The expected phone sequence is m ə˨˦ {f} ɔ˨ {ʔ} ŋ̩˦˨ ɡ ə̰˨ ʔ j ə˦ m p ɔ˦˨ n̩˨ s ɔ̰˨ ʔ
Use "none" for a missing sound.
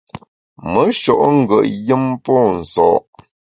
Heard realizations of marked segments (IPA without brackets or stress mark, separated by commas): ʃ, ʔ